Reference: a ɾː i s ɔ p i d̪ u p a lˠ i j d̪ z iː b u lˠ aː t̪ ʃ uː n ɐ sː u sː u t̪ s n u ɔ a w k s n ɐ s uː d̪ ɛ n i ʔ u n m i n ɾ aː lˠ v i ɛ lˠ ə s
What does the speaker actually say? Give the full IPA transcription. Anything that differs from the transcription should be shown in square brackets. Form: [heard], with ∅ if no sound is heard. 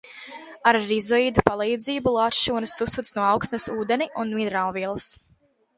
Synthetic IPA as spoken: a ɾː i [z] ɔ [∅] i d̪ u p a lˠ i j d̪ z iː b u lˠ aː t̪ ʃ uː n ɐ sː u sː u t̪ s n u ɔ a w k s n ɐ s uː d̪ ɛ n i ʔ u n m i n ɾ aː lˠ v i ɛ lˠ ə s